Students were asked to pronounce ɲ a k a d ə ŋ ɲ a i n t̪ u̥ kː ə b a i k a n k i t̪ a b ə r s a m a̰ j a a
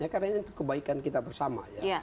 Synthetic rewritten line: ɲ a k a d a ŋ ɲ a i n t̪ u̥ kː ə b a i k a n k i t̪ a b ə r s a m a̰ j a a